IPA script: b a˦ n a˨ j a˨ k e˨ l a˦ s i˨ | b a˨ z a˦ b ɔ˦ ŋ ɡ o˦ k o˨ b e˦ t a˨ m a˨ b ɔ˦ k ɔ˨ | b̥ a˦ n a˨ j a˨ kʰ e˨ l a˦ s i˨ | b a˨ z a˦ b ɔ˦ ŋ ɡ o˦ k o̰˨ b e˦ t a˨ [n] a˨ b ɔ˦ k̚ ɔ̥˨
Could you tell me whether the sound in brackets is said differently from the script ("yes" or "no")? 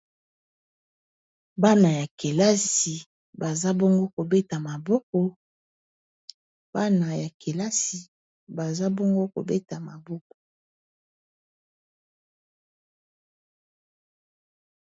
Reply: yes